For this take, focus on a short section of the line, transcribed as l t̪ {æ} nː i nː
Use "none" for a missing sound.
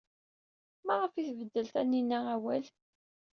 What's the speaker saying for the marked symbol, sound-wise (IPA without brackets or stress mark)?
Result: æ